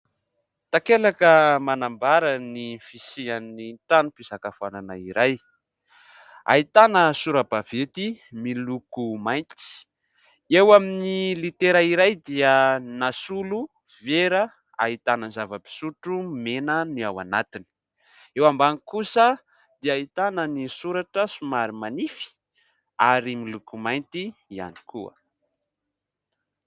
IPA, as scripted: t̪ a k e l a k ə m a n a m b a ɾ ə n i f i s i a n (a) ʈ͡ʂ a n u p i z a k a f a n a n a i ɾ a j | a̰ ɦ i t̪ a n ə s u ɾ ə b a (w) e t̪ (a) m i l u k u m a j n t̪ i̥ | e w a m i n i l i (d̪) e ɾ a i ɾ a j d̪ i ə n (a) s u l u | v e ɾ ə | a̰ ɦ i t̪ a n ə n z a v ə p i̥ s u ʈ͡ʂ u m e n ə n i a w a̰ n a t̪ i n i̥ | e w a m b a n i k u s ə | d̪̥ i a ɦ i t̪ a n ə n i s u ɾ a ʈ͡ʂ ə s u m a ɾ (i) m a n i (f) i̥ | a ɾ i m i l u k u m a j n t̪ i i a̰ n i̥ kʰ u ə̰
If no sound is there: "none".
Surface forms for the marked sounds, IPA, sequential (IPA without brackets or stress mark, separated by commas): i, v, i, t̪, a, i, f